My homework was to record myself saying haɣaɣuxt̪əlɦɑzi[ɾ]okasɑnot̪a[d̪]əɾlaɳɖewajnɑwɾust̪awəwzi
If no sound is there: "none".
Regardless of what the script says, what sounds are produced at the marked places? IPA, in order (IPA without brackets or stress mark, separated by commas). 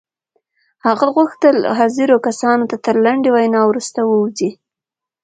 ɾ, t̪